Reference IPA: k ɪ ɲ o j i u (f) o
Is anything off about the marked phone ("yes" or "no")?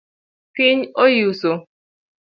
yes